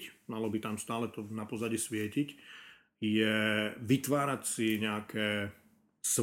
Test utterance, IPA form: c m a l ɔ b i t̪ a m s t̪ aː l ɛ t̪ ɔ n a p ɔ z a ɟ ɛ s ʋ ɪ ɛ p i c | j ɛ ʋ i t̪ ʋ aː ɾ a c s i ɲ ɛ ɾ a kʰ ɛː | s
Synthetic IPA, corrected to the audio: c m a l ɔ b i t̪ a m s t̪ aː l ɛ t̪ ɔ n a p ɔ z a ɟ i s ʋ ɪ ɛ c i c | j ɛ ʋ i t̪ ʋ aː ɾ a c s i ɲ ɛ a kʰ ɛː | s